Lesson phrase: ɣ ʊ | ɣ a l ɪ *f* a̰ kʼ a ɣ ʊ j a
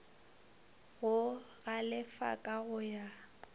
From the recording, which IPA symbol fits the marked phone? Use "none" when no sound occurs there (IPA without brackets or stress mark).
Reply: f